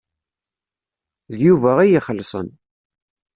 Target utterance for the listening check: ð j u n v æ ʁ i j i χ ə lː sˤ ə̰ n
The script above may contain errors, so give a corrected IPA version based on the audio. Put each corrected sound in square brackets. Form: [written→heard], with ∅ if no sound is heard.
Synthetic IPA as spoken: ð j u [n→∅] v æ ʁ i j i χ ə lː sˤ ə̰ n